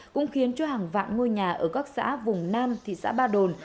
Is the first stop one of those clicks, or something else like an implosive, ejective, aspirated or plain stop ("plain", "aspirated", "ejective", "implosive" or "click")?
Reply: plain